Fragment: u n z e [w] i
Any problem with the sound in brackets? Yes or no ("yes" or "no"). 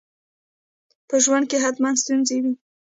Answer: no